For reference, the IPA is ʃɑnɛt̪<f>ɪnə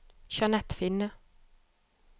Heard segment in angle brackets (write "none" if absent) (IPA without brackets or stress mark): f